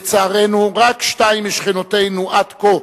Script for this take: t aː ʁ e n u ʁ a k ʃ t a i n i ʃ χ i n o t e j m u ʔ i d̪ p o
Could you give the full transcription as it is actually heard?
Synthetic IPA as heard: t͡s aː ʁ e n u ʁ a k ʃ t a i m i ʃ χ i n o t e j n u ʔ a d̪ k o